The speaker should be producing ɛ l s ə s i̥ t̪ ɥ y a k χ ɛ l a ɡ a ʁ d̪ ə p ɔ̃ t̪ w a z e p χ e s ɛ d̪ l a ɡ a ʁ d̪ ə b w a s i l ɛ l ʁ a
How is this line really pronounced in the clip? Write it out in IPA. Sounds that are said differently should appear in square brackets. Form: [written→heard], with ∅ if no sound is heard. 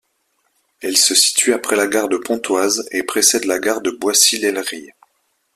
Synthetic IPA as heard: ɛ l s ə s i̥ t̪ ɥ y a [k→p] χ ɛ l a ɡ a ʁ d̪ ə p ɔ̃ t̪ w a z e p χ e s ɛ d̪ l a ɡ a ʁ d̪ ə b w a s i l ɛ l ʁ [a→i]